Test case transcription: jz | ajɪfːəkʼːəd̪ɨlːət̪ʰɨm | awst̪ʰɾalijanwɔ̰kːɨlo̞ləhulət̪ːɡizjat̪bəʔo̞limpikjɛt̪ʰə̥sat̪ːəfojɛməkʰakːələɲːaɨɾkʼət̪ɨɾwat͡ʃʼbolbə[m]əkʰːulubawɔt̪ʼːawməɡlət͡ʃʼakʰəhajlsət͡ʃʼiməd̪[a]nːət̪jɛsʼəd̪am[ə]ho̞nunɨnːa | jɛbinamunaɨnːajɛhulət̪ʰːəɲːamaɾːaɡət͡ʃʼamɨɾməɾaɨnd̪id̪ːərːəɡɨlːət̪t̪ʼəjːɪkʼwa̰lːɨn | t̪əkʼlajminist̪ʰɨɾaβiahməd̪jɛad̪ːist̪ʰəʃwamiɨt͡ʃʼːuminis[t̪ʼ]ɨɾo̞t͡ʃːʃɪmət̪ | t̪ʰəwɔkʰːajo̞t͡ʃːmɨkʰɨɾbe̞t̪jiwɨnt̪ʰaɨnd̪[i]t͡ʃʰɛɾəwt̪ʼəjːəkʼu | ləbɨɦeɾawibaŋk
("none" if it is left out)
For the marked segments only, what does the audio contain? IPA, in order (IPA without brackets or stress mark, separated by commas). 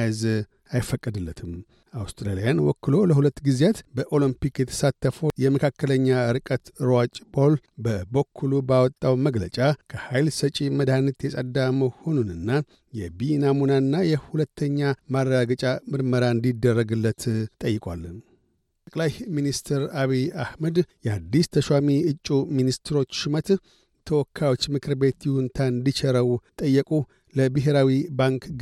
b, a, ə, t̪, i